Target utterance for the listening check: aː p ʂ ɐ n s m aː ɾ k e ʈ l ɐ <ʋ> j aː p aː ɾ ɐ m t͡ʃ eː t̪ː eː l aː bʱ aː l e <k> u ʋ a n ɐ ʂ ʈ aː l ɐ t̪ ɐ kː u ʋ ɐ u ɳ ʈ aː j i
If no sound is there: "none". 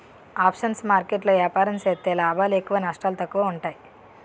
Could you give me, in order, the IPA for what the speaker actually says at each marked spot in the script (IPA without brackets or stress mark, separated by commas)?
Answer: ʋ, k